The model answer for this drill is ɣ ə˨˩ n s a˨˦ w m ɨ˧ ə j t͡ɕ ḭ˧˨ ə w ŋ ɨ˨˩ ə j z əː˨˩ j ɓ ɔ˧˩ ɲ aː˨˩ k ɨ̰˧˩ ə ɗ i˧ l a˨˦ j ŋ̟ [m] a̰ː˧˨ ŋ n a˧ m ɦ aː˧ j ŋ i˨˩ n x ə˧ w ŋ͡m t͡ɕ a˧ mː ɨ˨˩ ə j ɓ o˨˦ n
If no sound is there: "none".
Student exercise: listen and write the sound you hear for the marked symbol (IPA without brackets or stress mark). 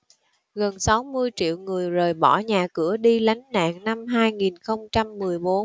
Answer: n